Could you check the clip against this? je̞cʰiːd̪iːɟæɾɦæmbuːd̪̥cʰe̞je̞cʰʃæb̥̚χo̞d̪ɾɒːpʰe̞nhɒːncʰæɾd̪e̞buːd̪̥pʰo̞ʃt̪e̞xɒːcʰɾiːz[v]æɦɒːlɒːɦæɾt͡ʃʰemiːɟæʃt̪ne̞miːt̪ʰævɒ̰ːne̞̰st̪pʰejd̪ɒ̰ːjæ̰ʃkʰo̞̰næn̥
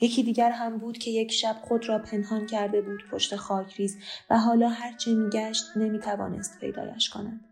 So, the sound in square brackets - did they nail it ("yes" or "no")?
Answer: yes